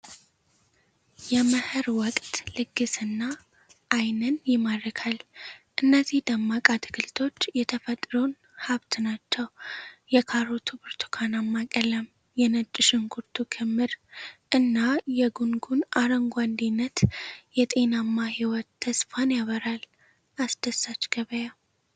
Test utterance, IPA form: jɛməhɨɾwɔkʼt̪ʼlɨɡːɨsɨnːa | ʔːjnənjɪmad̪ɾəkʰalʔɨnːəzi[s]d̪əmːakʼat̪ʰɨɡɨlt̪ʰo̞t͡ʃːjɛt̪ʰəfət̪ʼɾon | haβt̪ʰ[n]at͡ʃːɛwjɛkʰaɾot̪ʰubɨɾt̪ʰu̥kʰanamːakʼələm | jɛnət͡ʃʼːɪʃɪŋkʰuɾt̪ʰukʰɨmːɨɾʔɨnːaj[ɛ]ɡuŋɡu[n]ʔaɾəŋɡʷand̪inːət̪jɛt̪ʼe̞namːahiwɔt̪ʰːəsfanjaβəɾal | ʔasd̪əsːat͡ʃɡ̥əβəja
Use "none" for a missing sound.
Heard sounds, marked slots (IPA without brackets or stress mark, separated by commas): h, n, ɛ, n